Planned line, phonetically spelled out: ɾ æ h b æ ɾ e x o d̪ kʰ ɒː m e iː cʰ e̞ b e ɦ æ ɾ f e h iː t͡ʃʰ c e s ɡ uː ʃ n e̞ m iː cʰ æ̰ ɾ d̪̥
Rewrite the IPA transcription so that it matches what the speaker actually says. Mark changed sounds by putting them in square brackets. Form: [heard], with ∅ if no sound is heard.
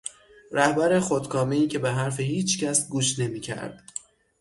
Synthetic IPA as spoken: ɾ æ h b æ ɾ e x o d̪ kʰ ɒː m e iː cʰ e̞ b e ɦ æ ɾ f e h iː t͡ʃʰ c [æ] s ɡ uː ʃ n e̞ m iː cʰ æ̰ ɾ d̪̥